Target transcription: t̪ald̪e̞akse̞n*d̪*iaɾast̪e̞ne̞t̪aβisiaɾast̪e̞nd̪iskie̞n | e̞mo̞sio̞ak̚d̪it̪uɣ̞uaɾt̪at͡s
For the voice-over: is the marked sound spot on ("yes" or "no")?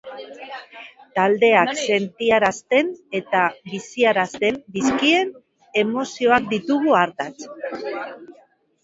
no